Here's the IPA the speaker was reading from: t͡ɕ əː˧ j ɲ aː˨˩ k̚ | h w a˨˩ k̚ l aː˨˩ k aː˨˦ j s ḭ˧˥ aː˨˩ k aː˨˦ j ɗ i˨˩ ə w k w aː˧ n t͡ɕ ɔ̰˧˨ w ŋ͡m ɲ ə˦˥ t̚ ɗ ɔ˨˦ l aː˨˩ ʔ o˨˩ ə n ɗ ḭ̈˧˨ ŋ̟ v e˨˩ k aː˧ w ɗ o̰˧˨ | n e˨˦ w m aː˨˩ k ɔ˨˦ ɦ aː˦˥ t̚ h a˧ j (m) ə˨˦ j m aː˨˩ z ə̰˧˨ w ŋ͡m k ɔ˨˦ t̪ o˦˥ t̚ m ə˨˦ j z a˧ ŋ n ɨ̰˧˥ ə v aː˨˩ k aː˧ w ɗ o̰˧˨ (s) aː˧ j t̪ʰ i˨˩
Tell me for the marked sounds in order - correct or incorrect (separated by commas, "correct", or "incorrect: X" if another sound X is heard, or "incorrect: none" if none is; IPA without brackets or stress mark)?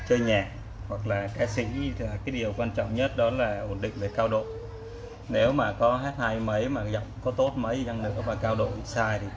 correct, correct